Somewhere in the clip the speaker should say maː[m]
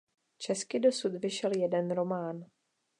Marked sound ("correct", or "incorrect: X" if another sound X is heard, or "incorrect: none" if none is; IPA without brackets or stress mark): incorrect: n